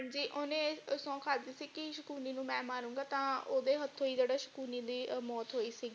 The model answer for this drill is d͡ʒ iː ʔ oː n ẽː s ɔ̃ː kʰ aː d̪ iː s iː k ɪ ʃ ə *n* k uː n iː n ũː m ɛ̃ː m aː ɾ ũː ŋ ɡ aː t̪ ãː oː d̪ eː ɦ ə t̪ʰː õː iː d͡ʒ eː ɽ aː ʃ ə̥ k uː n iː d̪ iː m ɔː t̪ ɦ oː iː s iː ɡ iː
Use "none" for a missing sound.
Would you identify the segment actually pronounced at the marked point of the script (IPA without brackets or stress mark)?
none